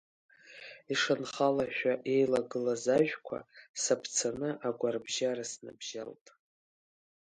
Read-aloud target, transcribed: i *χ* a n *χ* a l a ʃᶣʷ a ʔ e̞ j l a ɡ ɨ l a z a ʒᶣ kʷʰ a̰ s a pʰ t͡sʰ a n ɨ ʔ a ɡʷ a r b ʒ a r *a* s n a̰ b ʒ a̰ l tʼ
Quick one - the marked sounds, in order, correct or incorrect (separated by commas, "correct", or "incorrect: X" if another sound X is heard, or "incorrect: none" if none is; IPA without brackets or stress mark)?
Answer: incorrect: ʂ, correct, correct